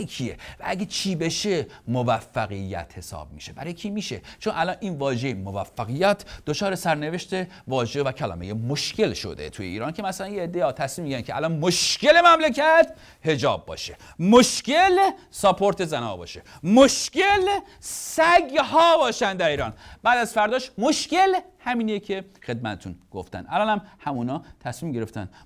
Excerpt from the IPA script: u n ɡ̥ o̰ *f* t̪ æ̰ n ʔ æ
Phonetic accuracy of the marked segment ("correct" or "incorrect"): correct